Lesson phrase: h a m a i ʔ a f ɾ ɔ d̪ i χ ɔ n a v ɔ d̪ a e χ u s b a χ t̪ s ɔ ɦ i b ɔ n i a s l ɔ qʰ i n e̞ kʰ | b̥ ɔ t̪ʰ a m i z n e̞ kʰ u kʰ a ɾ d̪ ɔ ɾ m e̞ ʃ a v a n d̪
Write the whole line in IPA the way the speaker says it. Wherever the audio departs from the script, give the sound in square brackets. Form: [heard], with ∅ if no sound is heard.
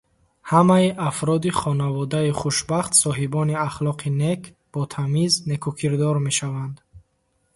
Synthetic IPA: h a m a i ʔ a f ɾ ɔ d̪ i χ ɔ n a v ɔ d̪ a [i] χ u [ʃ] b a χ t̪ s ɔ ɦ i b ɔ n i a [χ] l ɔ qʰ i n e̞ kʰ | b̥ ɔ t̪ʰ a m i z n e̞ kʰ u kʰ [i] ɾ d̪ ɔ ɾ m e̞ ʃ a v a n d̪